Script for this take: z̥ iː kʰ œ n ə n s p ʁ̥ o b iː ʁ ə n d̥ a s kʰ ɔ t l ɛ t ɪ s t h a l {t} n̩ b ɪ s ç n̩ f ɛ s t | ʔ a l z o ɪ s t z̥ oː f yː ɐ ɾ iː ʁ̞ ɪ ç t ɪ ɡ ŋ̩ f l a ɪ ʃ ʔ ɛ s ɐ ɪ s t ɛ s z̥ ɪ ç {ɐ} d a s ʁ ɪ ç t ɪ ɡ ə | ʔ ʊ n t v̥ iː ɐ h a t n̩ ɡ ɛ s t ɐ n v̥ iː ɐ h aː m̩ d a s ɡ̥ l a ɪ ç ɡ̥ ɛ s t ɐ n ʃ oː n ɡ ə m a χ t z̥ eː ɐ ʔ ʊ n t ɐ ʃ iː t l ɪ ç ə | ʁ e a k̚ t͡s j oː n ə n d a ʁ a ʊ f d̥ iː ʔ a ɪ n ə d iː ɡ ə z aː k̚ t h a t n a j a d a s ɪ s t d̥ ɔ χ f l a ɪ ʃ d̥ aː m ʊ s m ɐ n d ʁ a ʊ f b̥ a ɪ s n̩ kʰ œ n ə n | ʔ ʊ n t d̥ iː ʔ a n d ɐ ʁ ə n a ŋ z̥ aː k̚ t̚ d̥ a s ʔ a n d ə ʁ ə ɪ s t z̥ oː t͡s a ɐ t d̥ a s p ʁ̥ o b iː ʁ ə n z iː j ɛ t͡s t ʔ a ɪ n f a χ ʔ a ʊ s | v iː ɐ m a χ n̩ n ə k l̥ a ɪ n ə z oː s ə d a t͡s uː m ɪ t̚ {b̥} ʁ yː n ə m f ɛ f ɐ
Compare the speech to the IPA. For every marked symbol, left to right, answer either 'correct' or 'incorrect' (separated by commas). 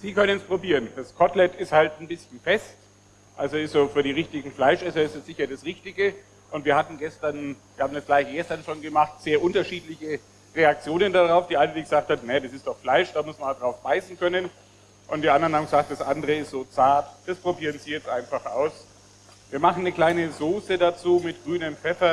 correct, correct, incorrect